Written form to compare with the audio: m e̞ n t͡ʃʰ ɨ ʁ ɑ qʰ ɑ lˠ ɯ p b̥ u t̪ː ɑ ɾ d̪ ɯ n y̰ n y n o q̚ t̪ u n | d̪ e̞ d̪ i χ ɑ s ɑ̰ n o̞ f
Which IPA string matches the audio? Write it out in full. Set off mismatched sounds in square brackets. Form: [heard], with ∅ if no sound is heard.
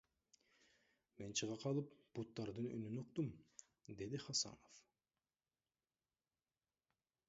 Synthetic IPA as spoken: m e̞ n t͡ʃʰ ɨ ʁ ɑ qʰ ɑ lˠ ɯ p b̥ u t̪ː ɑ ɾ d̪ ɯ n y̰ n y n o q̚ t̪ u [m] | d̪ e̞ d̪ i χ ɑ s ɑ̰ n o̞ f